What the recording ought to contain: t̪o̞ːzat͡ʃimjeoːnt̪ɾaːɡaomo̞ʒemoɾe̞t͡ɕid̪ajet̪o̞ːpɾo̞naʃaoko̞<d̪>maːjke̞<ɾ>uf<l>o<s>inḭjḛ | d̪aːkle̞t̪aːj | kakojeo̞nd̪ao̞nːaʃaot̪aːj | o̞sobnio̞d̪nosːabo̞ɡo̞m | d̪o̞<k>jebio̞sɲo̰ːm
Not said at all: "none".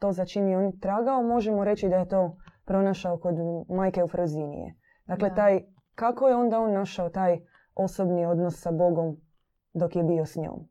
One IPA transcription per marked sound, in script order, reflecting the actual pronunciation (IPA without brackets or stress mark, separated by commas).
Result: d̪, none, ɾ, z, k